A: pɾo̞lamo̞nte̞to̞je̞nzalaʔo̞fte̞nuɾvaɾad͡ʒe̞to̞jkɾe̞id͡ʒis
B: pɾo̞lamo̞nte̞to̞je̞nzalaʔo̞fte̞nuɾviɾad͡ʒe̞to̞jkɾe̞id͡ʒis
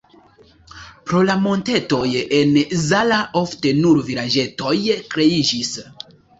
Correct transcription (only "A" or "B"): B